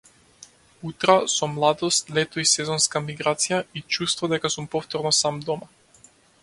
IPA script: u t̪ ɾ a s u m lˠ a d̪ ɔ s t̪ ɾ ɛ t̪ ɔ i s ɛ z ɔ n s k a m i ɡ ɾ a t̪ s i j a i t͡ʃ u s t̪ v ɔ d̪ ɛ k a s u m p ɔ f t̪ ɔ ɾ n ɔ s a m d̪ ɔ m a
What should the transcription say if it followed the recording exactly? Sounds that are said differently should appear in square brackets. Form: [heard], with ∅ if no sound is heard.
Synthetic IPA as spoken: u t̪ ɾ a s [ɔ] m lˠ a d̪ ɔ s t̪ [l] ɛ t̪ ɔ i s ɛ z ɔ n s k a m i ɡ ɾ a t̪ s i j a i t͡ʃ u s t̪ v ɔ d̪ ɛ k a s u m p ɔ f t̪ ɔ ɾ n ɔ s a m d̪ ɔ m a